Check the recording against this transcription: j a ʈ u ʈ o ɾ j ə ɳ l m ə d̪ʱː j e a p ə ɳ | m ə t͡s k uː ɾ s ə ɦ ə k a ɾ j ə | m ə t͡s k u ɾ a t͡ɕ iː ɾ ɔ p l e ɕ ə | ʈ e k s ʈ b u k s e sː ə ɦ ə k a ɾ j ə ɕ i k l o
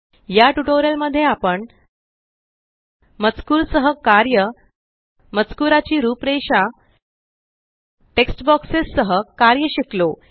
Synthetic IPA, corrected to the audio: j a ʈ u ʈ o ɾ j ə l m ə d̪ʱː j e a p ə ɳ | m ə t͡s k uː ɾ s ə ɦ ə k a ɾ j ə | m ə t͡s k u ɾ a t͡ɕ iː ɾ u p ɾ e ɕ a | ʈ e k s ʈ b ɔ k s e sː ə ɦ ə k a ɾ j ə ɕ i k l o